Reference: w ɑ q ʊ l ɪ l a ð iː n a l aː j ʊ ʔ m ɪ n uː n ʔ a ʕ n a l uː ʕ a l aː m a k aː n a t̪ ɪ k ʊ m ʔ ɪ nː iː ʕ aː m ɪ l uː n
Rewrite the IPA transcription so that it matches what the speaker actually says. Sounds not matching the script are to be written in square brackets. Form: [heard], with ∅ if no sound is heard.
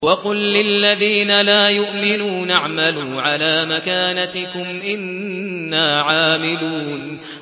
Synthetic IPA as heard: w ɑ q ʊ [lː] ɪ [lː] a ð iː n a l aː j ʊ ʔ m ɪ n uː n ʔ a ʕ [m] a l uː ʕ a l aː m a k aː n a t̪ ɪ k ʊ m ʔ ɪ nː [aː] ʕ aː m ɪ l uː n